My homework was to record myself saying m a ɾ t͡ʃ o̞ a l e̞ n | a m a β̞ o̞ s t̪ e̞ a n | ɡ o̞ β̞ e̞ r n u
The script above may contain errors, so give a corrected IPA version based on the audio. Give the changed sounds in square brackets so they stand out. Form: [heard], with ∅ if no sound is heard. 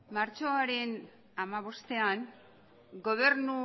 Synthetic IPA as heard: m a ɾ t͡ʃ o̞ a [ɾ] e̞ n | a m a β̞ o̞ s t̪ e̞ a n | ɡ o̞ β̞ e̞ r n u